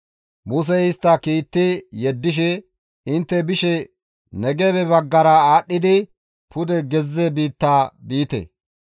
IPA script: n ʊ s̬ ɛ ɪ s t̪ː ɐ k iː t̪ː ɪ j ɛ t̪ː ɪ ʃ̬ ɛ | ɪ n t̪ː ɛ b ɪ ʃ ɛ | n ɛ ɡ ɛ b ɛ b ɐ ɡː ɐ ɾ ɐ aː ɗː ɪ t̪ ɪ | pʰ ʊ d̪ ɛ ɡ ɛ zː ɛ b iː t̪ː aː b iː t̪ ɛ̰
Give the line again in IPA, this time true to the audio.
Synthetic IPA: m ʊ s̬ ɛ ɪ s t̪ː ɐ k iː t̪ː ɪ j ɛ d̪ː ɪ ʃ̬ ɛ | ɪ n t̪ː ɛ b ɪ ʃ ɛ | n ɛ ɡ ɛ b ɛ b ɐ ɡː ɐ ɾ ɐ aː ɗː ɪ d̪ ɪ | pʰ ʊ d̪ ɛ ɡ ɛ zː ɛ b iː t̪ː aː b iː t̪ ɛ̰

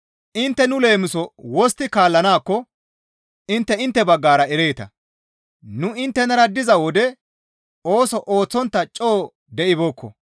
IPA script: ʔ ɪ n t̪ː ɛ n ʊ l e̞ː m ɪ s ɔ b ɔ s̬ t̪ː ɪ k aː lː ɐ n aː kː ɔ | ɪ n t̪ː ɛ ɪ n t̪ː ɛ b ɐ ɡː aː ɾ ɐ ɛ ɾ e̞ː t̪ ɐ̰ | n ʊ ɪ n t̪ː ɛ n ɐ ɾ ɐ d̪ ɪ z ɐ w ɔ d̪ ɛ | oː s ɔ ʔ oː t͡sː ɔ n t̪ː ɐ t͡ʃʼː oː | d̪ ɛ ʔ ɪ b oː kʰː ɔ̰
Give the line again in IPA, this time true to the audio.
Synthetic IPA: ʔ ɪ n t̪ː ɛ n ʊ l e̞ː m ɪ s ɔ w ɔ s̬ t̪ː ɪ k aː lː ɐ n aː kː ɔ | ɪ n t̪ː ɛ ɪ n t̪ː ɛ b ɐ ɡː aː ɾ ɐ ɛ ɾ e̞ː t̪ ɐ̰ | n ʊ ɪ n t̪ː ɛ n ɐ ɾ ɐ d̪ ɪ z ɐ w ɔ d̪ ɛ | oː s ɔ ʔ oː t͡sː ɔ n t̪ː ɐ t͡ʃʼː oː | d̪ ɛ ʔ ɪ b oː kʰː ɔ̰

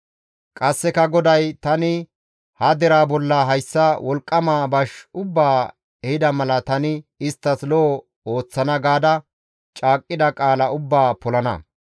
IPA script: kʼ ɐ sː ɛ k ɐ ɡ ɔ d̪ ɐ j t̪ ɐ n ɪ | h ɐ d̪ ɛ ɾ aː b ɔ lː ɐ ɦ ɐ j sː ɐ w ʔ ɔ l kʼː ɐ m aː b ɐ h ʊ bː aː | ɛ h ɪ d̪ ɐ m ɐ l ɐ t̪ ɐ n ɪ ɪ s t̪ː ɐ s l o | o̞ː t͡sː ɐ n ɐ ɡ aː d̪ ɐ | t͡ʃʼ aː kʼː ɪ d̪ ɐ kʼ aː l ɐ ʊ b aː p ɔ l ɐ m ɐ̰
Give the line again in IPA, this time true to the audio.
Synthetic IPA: kʼ ɐ sː ɛ k ɐ ɡ ɔ d̪ ɐ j t̪ ɐ n ɪ | h ɐ d̪ ɛ ɾ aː b ɔ lː ɐ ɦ ɐ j sː ɐ w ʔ ɔ l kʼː ɐ m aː b ɐ ʃ ʊ bː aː | ɛ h ɪ d̪ ɐ m ɐ l ɐ t̪ ɐ n ɪ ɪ s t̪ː ɐ s l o | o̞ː t͡sː ɐ n ɐ ɡ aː d̪ ɐ | t͡ʃʼ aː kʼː ɪ d̪ ɐ kʼ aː l ɐ ʊ bː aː p ɔ l ɐ n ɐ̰

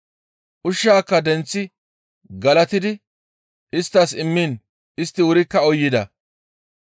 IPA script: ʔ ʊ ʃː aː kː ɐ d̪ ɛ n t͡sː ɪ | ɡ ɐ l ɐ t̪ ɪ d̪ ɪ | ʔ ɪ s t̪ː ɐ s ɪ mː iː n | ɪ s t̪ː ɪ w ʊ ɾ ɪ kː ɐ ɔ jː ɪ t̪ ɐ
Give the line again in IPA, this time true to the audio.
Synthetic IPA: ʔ ʊ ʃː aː kː ɐ d̪ ɛ n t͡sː ɪ | ɡ ɐ l ɐ t̪ ɪ d̪ ɪ | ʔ ɪ s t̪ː ɐ s ɪ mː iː n | ɪ s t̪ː ɪ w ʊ ɾ ɪ kː ɐ ɔ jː ɪ d̪ ɐ

